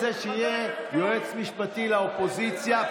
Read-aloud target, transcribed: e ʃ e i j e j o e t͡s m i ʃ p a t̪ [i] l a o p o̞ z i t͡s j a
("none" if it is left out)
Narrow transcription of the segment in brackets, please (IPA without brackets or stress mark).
i